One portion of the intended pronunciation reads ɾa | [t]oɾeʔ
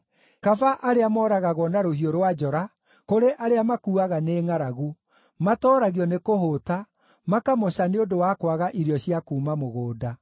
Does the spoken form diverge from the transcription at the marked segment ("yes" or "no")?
yes